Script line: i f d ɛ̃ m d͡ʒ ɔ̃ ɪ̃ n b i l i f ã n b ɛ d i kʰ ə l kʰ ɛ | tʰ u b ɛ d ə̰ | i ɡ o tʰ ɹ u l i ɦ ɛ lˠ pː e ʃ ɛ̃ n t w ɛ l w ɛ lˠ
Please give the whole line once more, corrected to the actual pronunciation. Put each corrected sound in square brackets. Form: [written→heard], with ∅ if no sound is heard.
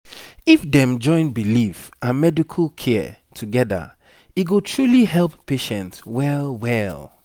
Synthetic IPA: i f d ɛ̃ m d͡ʒ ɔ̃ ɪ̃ n b i l i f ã n [b→m] ɛ d i kʰ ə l kʰ ɛ | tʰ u [b→ɡ] ɛ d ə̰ | i ɡ o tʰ ɹ u l i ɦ ɛ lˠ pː e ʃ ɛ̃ n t w ɛ l w ɛ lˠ

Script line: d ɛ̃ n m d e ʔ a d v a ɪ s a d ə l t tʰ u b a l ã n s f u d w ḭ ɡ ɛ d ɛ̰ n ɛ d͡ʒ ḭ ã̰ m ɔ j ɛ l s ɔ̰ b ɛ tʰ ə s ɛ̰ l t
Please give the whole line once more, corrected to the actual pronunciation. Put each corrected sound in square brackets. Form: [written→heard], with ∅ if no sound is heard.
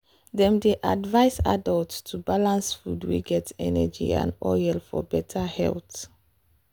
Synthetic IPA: d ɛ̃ [n→∅] m d e ʔ a d v a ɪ s a d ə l t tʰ u b a l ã n s f u d w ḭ ɡ ɛ [d→t] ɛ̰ n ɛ d͡ʒ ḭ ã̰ [m→n] ɔ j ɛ l [s→f] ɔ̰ b ɛ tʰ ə [s→h] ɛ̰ l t

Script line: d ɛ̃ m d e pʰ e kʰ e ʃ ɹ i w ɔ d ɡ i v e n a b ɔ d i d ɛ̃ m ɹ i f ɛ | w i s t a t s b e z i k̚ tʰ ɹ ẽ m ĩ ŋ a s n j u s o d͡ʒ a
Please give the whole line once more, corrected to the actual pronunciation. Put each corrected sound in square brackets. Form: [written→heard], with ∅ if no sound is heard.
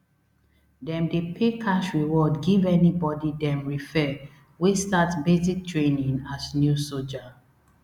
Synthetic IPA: d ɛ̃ m d e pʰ e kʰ [e→a] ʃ ɹ i w ɔ d ɡ i v [e→ɛ] n [a→i] b ɔ d i d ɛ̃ m ɹ i f ɛ | w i s t a t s b e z i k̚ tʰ ɹ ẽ [m→n] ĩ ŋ a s n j u s o d͡ʒ a

